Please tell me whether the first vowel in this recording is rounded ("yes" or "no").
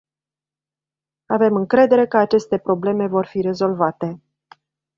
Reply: no